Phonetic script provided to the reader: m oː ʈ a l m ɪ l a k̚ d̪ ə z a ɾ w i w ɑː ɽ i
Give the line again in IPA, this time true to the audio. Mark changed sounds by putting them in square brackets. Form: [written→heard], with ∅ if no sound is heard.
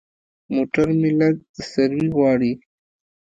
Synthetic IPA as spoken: m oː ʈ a [l→ɾ] m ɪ l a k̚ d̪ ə [z→s] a ɾ w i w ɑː ɽ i